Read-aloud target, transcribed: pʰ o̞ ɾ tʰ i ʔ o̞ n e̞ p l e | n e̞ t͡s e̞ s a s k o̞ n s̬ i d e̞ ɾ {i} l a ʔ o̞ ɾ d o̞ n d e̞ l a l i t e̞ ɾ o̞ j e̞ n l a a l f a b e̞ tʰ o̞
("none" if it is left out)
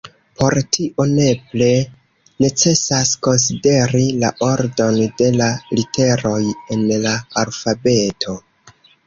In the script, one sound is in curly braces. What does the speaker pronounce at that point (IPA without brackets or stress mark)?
i